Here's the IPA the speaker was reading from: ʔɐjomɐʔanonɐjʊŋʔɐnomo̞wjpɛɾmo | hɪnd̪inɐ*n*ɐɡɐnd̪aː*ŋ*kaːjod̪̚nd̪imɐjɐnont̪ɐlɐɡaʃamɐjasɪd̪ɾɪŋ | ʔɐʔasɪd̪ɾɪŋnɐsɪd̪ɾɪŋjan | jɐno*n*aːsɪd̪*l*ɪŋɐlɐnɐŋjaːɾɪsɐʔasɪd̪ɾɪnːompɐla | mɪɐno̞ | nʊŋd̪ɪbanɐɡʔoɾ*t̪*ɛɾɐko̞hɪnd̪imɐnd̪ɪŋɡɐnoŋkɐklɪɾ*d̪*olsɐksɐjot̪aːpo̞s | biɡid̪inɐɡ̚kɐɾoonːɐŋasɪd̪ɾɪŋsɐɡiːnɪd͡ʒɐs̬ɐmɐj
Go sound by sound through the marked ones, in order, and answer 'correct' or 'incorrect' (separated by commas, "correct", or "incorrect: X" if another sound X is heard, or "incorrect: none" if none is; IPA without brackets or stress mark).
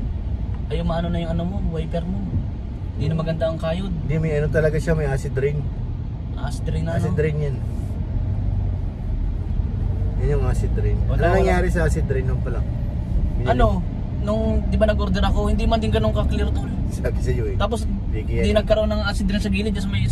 incorrect: m, correct, incorrect: ŋ, incorrect: ɾ, incorrect: d̪, incorrect: t̪